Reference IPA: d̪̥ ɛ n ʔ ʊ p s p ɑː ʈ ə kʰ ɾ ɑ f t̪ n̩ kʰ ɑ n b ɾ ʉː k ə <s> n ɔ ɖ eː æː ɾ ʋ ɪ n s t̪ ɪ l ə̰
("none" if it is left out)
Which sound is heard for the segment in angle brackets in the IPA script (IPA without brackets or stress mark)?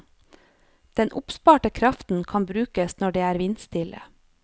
s